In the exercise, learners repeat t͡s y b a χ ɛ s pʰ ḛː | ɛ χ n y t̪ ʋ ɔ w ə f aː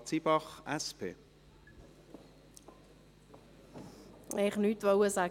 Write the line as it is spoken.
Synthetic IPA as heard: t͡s i b ɑ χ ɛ s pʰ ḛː | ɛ χ n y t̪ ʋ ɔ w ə s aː